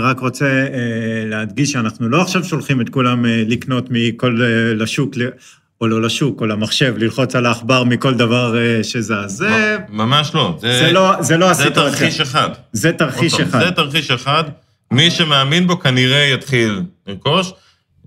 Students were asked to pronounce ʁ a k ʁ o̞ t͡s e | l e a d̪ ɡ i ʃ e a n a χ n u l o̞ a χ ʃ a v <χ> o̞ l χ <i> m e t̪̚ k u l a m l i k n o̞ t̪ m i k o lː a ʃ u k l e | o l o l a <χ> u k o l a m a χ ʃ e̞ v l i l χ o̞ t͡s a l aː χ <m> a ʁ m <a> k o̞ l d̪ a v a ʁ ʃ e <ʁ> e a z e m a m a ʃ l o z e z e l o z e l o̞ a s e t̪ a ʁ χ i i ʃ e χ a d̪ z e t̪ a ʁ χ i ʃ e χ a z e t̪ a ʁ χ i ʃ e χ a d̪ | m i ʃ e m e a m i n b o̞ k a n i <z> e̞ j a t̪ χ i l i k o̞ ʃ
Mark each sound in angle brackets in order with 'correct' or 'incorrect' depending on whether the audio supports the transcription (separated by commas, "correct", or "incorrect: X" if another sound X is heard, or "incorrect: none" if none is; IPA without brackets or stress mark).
incorrect: ʃ, correct, incorrect: ʃ, incorrect: b, incorrect: i, incorrect: z, incorrect: ʁ